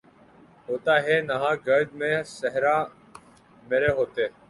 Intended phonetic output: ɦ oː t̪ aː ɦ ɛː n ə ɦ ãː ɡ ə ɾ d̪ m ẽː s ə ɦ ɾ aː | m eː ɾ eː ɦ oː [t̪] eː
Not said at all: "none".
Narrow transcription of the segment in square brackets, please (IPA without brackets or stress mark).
t̪